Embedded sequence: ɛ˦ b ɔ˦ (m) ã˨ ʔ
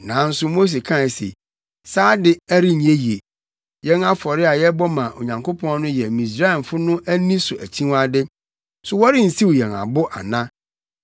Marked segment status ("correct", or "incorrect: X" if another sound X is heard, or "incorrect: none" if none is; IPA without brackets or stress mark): correct